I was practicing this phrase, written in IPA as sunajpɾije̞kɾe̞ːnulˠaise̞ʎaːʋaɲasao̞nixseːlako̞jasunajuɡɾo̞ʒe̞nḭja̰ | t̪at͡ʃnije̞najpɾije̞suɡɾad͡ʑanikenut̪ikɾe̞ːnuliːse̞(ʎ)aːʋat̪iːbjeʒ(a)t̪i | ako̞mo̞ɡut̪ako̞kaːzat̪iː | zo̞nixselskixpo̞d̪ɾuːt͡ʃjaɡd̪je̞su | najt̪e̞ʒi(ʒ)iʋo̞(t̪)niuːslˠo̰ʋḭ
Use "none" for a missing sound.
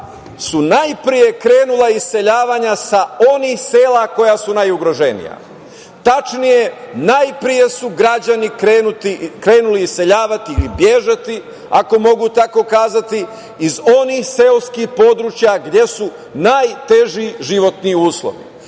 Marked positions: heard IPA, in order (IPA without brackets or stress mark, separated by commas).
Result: ʎ, a, ʒ, t̪